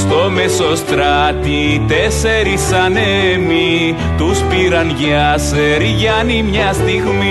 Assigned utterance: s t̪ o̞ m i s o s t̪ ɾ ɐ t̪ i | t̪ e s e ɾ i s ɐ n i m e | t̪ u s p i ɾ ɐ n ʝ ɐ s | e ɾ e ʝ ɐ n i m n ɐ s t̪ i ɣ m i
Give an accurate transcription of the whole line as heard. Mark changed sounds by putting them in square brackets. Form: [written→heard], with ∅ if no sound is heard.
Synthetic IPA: s t̪ o̞ m [i→e] s o s t̪ ɾ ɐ t̪ i | t̪ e s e ɾ i s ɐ n [i→e] m [e→i] | t̪ u s p i ɾ ɐ n ʝ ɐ s | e ɾ [e→i] ʝ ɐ n i m [n→ɲ] ɐ s t̪ i ɣ m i